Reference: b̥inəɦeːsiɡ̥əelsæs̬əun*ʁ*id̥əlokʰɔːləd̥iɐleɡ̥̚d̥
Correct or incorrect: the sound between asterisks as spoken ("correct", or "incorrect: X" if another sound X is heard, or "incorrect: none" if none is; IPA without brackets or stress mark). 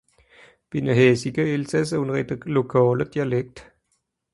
correct